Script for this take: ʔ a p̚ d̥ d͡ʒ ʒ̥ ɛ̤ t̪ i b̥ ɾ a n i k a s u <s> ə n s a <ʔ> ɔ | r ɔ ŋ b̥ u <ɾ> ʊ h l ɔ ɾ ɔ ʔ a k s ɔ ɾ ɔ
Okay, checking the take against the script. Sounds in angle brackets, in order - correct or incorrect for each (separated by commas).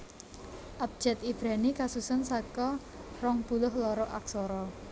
correct, incorrect, incorrect